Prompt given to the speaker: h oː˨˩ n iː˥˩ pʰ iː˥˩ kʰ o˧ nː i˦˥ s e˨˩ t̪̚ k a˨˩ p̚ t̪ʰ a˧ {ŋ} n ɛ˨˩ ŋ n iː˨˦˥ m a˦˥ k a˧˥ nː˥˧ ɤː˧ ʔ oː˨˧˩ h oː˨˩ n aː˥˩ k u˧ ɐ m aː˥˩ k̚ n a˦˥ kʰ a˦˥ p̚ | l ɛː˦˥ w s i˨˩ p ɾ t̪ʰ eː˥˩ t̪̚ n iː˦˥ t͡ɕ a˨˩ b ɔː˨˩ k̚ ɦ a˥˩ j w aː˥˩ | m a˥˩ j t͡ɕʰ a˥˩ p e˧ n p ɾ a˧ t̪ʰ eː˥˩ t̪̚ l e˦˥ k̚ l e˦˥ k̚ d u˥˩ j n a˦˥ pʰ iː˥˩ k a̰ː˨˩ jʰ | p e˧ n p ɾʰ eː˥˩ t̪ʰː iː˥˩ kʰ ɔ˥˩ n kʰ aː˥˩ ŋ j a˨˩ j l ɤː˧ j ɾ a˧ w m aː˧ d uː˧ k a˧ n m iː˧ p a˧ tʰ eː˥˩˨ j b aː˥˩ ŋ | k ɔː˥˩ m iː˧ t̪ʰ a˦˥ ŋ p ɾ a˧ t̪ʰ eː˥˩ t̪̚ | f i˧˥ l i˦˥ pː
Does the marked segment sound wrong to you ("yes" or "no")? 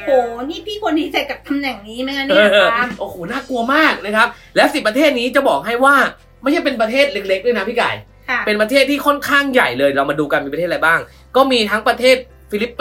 yes